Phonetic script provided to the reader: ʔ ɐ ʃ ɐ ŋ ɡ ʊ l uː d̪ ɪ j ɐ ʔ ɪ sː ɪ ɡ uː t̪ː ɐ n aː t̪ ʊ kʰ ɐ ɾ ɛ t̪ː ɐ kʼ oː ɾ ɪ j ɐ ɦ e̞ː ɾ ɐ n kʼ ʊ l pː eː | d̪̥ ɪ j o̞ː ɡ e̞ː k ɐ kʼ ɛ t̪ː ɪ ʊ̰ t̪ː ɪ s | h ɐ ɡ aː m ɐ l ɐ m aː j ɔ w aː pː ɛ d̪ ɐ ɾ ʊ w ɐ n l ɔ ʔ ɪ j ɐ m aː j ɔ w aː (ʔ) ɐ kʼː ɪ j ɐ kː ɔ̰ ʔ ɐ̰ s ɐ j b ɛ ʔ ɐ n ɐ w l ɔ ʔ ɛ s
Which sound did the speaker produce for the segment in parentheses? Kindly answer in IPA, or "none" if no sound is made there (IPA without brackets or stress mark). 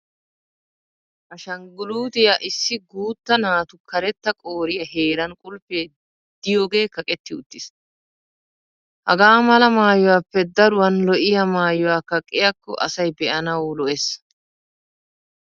k